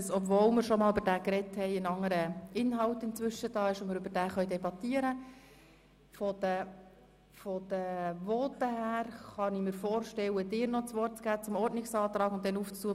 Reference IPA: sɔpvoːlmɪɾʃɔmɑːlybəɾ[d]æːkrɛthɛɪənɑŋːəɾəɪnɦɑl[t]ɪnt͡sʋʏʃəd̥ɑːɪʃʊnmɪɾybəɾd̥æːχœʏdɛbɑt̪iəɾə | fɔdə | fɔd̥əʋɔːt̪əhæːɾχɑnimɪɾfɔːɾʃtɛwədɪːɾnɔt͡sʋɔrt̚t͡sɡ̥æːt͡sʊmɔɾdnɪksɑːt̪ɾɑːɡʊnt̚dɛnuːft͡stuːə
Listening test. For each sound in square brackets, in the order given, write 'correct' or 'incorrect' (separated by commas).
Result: correct, correct